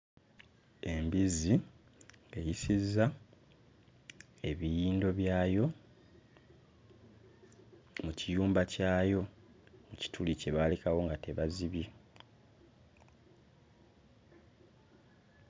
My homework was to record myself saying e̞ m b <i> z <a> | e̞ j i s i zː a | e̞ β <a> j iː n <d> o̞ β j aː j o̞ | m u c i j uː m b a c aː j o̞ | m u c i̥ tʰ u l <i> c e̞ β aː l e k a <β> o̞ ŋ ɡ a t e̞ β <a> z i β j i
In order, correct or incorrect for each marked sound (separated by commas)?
correct, incorrect, incorrect, correct, correct, incorrect, correct